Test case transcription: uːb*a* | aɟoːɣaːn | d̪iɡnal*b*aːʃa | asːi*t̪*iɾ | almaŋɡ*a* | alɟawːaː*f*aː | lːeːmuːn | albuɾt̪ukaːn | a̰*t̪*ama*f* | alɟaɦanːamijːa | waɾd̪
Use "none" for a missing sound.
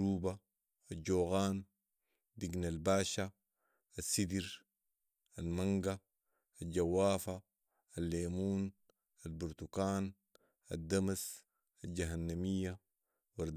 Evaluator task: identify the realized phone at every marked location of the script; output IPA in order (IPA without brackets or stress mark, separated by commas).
a, b, d̪, a, f, d̪, s